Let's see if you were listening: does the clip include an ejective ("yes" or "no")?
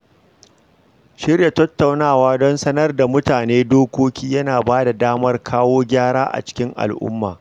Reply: no